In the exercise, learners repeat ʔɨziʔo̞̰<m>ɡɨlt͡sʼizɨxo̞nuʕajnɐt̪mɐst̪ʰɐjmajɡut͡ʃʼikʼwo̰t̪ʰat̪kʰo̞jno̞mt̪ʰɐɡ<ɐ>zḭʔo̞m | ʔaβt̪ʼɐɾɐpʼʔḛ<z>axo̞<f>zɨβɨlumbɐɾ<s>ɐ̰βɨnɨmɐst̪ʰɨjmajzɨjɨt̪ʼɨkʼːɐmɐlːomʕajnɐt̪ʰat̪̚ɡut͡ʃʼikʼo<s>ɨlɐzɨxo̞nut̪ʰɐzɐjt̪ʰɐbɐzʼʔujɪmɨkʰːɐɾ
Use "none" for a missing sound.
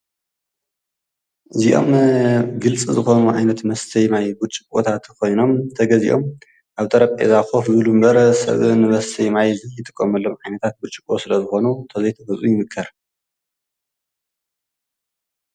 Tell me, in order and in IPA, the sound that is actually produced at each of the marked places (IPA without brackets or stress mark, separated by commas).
m, ɐ, z, f, s, s